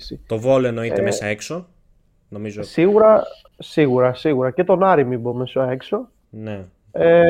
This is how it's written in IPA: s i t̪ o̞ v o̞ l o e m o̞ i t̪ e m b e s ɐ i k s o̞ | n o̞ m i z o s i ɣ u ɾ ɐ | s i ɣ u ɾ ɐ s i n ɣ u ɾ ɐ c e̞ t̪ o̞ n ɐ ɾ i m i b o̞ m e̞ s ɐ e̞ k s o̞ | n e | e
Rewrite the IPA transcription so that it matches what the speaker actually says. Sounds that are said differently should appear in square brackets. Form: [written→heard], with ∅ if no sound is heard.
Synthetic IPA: s i t̪ o̞ v o̞ l o e [m→n] o̞ i t̪ e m [b→m] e s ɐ [i→e] k s o̞ | n o̞ m i z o s i ɣ u ɾ ɐ | s i ɣ u ɾ ɐ s i [n→∅] ɣ u ɾ ɐ c e̞ t̪ o̞ n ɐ ɾ i m i b o̞ m e̞ s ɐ e̞ k s o̞ | n e | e